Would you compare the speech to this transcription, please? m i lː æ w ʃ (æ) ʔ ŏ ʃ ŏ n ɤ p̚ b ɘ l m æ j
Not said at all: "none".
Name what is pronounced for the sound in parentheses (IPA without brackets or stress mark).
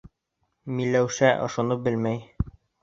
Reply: æ